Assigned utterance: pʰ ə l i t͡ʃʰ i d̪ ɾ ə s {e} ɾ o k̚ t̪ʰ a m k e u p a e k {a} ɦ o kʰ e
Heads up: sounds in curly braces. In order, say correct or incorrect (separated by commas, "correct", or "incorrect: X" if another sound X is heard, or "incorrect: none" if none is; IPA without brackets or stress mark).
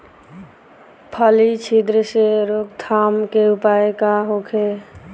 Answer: correct, correct